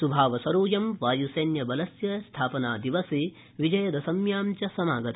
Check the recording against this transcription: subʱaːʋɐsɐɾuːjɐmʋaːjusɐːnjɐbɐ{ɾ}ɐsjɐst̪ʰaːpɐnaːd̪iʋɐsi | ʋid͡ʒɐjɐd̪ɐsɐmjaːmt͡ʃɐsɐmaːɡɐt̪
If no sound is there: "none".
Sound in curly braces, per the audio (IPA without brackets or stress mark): l